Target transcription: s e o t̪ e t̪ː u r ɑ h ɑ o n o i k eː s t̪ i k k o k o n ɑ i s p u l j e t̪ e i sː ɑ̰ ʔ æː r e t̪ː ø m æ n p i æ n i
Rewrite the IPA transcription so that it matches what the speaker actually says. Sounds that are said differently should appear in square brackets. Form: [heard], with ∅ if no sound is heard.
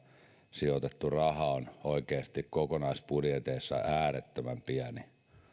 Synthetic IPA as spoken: s [i] o t̪ e t̪ː u r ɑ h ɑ o n o i k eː s t̪ i k k o k o n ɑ i s p u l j e t̪ e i sː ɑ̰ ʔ æː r e t̪ː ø m æ [m] p i æ n i